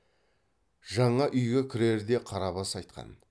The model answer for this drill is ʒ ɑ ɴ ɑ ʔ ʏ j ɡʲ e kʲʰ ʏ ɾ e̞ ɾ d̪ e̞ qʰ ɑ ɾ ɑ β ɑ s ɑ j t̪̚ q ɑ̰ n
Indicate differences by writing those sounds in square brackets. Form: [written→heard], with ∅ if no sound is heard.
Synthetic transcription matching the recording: ʒ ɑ ɴ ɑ ʔ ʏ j ɡʲ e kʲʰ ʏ ɾ e̞ ɾ d̪ e̞ qʰ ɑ ɾ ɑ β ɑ s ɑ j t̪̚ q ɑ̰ n